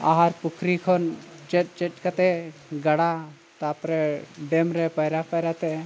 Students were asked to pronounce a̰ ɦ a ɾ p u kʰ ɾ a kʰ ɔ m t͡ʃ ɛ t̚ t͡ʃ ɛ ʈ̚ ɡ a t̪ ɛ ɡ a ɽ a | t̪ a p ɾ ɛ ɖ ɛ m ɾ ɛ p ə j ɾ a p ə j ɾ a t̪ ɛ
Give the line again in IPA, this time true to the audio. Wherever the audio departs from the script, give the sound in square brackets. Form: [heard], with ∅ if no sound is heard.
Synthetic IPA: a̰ ɦ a ɾ p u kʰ ɾ [i] kʰ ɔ [n] t͡ʃ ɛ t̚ t͡ʃ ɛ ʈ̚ [k] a t̪ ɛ ɡ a ɽ a | t̪ a p ɾ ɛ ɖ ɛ m ɾ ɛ p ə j ɾ a p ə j ɾ a t̪ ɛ